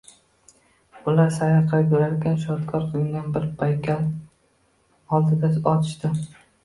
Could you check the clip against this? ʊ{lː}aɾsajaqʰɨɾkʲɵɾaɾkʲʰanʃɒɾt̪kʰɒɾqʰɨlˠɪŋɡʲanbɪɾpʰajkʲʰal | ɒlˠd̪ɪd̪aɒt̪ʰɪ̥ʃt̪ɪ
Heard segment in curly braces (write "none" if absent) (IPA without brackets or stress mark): l